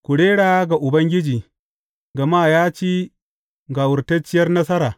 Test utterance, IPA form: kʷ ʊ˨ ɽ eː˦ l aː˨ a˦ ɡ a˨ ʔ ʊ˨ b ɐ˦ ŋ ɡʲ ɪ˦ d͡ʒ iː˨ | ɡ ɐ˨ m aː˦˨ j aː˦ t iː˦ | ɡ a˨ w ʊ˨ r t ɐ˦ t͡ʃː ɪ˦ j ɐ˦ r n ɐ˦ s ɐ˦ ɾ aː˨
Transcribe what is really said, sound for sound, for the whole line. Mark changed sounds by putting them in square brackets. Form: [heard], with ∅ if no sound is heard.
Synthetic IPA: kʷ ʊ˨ ɽ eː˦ [ɽ] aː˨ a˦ ɡ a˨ ʔ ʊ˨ b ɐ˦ ŋ ɡʲ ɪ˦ d͡ʒ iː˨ | ɡ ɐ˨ m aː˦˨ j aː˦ [t͡ʃ] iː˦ | ɡ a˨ w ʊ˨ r t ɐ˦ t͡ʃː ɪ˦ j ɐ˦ r n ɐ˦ s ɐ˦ ɾ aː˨